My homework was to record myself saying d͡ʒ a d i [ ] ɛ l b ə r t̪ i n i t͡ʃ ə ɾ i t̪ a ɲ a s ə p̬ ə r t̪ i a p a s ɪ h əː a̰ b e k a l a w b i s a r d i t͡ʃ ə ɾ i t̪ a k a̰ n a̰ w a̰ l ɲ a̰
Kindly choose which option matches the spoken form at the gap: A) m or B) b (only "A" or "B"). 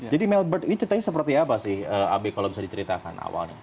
A